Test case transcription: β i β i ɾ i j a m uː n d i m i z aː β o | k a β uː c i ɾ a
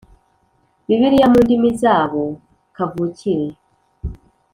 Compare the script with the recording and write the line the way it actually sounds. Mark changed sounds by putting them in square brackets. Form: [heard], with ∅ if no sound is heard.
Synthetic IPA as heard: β i β i ɾ i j a m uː n d i m i z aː β o | k a [v] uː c i ɾ [e]